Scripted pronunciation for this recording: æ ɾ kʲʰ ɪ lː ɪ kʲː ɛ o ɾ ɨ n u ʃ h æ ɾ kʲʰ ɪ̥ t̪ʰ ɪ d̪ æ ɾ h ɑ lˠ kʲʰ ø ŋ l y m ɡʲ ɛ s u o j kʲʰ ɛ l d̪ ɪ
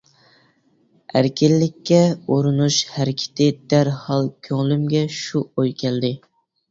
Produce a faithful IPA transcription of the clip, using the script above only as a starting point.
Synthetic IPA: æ ɾ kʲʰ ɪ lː ɪ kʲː ɛ o ɾ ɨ n u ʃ h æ ɾ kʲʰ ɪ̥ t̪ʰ ɪ d̪ æ ɾ h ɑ lˠ kʲʰ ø ŋ l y m ɡʲ ɛ ʃ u o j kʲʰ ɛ l d̪ ɪ